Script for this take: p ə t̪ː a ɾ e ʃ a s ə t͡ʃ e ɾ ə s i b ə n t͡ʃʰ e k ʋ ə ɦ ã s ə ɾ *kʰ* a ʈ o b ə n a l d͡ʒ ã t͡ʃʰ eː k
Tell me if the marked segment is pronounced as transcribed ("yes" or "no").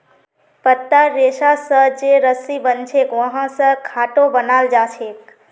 yes